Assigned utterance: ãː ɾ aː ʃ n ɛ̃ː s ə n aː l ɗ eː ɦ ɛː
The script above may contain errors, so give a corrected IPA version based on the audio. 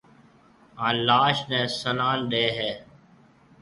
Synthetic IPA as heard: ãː l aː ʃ n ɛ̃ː s ə n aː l ɗ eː ɦ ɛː